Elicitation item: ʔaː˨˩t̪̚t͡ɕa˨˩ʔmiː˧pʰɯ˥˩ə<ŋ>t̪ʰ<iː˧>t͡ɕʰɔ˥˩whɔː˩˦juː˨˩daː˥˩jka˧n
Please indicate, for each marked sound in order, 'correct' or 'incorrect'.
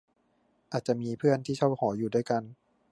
incorrect: n, incorrect: iː˥˩

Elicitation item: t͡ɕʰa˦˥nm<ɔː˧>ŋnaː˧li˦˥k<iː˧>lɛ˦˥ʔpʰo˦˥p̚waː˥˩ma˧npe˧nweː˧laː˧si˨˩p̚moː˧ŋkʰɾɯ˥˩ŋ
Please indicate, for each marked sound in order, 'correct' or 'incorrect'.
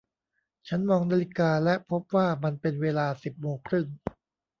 correct, incorrect: aː˧

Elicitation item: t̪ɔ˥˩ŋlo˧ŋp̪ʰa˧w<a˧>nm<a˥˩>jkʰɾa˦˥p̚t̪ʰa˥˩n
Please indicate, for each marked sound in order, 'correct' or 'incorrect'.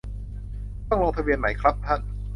incorrect: i˧, incorrect: a˩˦

